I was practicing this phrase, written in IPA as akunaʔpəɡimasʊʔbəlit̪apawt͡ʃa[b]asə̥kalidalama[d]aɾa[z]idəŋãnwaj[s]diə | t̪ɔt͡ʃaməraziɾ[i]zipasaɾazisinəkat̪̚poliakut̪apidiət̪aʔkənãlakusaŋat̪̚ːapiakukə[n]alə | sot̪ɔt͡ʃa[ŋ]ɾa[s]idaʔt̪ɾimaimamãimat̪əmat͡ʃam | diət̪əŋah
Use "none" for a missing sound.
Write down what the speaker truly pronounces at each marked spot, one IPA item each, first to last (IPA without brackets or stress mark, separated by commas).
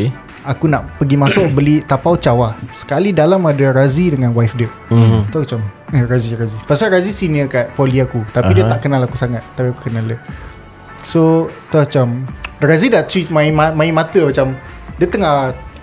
w, d, z, f, a, n, m, z